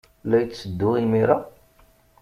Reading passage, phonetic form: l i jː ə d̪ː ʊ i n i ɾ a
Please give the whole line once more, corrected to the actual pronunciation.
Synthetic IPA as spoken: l æ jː ə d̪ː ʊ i m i ɾ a